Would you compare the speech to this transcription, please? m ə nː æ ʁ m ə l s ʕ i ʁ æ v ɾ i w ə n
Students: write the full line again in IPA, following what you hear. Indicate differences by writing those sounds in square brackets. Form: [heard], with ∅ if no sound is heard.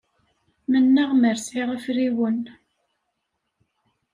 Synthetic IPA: m ə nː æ ʁ m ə [ɾ] s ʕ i ʁ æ [f] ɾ i w ə n

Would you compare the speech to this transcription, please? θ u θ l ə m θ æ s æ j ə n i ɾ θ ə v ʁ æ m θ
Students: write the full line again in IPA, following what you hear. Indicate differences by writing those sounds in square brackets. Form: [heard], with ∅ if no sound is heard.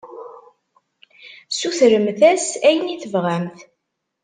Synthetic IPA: [s] u θ [ɾ] ə m θ æ s æ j ə n i [∅] θ ə v ʁ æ m θ

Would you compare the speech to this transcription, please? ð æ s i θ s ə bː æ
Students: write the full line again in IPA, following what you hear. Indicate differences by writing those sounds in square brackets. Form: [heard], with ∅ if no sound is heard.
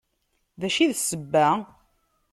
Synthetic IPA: ð æ [ʃ] i [ð] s ə bː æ

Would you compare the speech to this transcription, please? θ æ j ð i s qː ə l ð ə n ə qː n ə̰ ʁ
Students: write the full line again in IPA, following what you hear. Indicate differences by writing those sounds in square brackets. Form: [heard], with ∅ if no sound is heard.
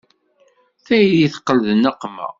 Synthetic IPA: θ æ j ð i [θ] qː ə l ð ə n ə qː [m] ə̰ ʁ

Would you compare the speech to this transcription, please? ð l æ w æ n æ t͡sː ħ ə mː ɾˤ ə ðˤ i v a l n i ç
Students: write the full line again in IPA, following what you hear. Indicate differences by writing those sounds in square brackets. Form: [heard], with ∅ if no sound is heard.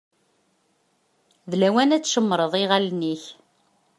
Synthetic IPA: ð l æ w æ n æ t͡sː [ʃ] ə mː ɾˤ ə ðˤ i [ʁ] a l n i ç

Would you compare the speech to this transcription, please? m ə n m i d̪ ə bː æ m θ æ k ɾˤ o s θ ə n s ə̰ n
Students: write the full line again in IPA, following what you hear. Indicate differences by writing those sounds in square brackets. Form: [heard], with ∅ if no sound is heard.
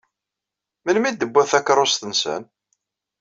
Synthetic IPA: m ə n m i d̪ ə bː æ [∅] θ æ k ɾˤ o s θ ə n s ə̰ n

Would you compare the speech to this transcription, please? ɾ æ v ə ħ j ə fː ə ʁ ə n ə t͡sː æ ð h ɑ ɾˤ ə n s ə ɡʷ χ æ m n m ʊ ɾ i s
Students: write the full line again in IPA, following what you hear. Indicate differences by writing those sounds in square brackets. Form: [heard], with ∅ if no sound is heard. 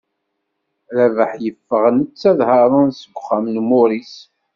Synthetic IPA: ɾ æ v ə ħ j ə fː ə ʁ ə n ə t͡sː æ ð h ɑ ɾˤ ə n s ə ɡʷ χ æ m n m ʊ ɾ i s

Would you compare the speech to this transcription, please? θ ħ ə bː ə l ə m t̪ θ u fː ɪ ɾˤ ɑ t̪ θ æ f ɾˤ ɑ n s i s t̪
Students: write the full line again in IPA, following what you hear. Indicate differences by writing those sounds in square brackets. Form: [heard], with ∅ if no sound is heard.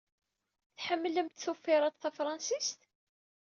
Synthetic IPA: θ ħ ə [mː] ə l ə m t̪ θ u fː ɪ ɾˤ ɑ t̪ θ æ f ɾˤ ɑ n s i s t̪

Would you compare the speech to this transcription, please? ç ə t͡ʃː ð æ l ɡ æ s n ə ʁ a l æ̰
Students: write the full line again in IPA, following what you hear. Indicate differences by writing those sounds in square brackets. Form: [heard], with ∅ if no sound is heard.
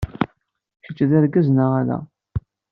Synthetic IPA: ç ə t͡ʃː ð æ [ɾ] ɡ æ [z] n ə ʁ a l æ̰

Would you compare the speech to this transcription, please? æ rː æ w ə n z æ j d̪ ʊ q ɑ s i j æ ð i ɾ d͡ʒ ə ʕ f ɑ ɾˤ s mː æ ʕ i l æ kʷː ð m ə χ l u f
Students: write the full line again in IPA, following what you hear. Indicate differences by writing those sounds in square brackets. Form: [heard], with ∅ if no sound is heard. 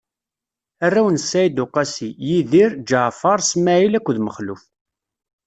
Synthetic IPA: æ rː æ w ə n [s] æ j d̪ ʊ q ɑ s i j [i] ð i ɾ d͡ʒ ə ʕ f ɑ ɾˤ s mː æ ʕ i l æ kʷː ð m ə χ l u f

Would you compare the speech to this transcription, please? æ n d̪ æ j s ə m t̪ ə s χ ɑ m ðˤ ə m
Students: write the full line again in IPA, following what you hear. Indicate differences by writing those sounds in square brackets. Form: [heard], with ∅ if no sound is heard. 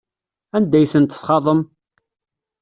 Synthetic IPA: æ n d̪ æ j [θ] ə [n] t̪ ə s χ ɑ [∅] ðˤ ə m

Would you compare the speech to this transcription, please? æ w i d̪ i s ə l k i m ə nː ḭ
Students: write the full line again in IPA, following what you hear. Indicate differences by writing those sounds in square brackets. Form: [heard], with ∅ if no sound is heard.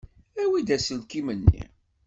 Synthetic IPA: æ w i d̪ [æ] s ə l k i m ə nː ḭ

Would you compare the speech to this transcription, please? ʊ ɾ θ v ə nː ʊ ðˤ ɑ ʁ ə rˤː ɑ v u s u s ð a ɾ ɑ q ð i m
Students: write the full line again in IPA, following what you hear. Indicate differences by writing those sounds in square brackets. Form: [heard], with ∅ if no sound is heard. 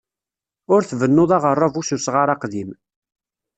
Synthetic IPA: ʊ ɾ θ v ə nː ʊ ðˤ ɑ ʁ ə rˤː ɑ v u s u s [ʁ] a ɾ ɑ q ð i m

